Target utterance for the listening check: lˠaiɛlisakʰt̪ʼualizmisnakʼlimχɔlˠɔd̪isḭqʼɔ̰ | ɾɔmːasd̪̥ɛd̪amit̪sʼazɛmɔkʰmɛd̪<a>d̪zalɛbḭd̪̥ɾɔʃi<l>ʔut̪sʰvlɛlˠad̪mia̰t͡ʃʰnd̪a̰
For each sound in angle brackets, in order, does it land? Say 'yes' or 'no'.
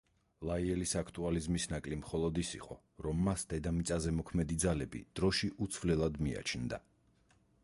no, no

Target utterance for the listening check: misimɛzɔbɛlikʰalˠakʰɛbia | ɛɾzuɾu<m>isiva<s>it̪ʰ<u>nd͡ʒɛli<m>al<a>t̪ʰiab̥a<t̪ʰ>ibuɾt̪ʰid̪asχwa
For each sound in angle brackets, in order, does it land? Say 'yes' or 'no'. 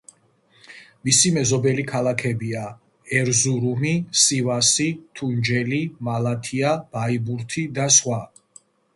yes, yes, yes, yes, yes, no

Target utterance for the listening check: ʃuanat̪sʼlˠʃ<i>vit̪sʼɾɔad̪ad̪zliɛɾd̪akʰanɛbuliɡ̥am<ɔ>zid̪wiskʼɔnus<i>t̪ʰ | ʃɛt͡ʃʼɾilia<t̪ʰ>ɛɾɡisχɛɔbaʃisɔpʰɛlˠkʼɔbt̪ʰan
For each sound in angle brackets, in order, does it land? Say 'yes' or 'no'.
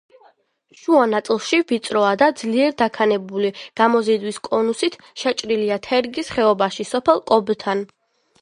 yes, yes, yes, yes

